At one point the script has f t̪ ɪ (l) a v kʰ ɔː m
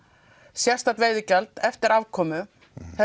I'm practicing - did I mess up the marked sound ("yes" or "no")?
yes